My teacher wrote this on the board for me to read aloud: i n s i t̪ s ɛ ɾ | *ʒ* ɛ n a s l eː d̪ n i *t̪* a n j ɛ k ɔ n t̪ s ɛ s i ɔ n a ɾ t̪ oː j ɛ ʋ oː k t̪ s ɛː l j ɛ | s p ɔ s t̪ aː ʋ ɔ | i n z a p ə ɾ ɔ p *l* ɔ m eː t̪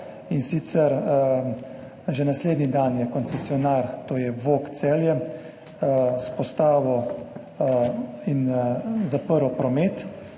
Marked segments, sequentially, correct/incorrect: correct, incorrect, incorrect

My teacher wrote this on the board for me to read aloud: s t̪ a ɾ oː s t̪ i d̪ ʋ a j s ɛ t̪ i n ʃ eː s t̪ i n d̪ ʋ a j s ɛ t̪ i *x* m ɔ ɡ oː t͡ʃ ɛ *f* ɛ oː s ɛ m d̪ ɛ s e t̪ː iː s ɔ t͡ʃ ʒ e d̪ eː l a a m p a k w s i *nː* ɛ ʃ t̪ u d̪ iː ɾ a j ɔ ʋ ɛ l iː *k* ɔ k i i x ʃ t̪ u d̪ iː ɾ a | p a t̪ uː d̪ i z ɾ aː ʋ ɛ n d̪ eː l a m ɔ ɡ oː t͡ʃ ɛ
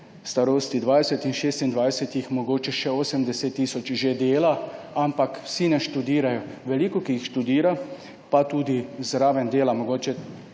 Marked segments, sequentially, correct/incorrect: correct, incorrect, incorrect, correct

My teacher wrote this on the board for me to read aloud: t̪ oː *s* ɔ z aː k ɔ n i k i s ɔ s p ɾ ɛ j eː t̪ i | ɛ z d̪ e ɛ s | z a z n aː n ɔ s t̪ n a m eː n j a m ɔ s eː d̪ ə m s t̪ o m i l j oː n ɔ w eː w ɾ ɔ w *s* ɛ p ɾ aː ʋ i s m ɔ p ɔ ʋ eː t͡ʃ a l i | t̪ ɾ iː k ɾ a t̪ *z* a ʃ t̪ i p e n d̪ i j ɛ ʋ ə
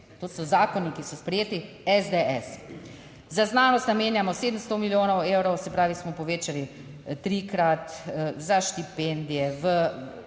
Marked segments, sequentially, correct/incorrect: correct, correct, correct

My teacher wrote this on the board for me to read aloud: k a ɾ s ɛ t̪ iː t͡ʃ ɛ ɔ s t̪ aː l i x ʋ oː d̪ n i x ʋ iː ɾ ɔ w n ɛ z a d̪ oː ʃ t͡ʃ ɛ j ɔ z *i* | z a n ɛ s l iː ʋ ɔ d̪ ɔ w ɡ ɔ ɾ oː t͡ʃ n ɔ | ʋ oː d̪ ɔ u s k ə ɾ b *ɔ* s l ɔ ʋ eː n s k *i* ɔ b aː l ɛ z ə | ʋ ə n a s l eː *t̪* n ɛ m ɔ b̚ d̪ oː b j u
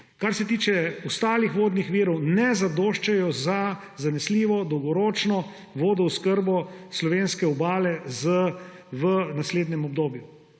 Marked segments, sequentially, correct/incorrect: incorrect, correct, incorrect, incorrect

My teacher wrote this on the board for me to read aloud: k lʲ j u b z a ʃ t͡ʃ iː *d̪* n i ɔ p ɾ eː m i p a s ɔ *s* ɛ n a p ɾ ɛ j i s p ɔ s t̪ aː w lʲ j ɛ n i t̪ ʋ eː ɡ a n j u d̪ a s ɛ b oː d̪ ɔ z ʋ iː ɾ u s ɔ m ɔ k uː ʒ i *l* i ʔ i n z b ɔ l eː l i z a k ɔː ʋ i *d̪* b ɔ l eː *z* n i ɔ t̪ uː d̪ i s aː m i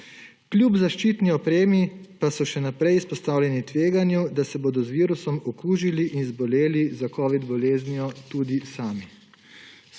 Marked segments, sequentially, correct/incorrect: incorrect, incorrect, correct, correct, correct

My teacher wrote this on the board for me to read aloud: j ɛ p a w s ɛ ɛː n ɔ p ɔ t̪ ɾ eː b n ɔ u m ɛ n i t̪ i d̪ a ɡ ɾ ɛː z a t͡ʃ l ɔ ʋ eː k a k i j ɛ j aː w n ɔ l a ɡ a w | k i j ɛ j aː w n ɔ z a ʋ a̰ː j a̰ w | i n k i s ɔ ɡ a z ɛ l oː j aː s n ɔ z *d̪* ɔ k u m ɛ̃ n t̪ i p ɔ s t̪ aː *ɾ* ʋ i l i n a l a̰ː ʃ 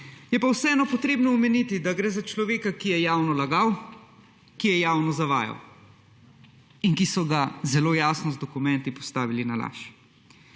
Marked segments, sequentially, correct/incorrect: correct, incorrect

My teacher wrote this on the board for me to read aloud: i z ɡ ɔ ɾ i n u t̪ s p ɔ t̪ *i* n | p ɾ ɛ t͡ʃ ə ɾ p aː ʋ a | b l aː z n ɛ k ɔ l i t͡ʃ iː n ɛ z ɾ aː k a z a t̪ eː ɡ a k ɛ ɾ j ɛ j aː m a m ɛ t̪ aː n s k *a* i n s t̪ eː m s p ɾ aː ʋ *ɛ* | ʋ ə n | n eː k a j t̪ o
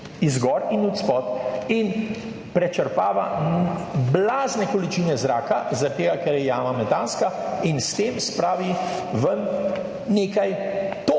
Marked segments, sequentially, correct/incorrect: correct, correct, incorrect

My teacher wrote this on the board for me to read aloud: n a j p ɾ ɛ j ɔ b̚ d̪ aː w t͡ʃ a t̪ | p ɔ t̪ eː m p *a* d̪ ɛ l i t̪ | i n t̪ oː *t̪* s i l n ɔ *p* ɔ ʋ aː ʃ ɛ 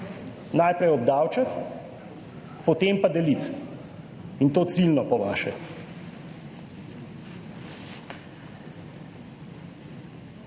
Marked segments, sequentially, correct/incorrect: correct, correct, correct

